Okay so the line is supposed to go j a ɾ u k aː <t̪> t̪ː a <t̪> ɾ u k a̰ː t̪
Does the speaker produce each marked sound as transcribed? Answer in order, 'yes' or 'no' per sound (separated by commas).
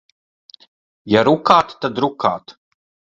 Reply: yes, no